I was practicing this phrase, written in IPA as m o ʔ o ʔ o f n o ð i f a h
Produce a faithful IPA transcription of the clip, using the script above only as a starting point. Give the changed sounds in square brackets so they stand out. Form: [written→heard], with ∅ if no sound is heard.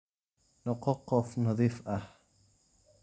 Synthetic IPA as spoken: [m→n] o [ʔ→q] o [ʔ→q] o f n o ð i f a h